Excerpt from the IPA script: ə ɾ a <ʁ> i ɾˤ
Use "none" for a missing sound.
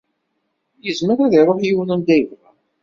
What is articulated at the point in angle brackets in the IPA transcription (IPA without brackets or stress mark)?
ð